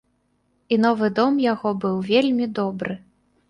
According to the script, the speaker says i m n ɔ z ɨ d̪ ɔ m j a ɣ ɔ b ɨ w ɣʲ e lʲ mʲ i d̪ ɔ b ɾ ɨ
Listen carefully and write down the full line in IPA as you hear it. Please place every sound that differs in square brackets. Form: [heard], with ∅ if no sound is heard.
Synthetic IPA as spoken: i [∅] n ɔ [v] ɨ d̪ ɔ m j a ɣ ɔ b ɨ w [vʲ] e lʲ mʲ i d̪ ɔ b ɾ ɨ